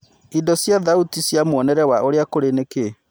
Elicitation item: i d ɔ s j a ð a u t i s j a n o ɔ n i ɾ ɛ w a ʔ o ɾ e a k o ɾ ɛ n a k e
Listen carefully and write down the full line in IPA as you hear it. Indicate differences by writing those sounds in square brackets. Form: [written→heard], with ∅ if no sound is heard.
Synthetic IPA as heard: i d ɔ s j a ð a u t i s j a [n→m] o ɔ n [i→ɛ] ɾ ɛ w a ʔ o ɾ e a k o ɾ [ɛ→e] n [a→e] k e